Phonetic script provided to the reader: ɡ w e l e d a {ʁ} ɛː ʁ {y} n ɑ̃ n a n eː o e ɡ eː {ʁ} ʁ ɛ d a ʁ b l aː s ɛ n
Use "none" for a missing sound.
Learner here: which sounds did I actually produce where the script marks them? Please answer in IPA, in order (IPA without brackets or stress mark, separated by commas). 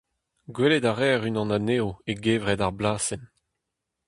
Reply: ʁ, y, v